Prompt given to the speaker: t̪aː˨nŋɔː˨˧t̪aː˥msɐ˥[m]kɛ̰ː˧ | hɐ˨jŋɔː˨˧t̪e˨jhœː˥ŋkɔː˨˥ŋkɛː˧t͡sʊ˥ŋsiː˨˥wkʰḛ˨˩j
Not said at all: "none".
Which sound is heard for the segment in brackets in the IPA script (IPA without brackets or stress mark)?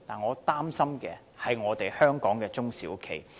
m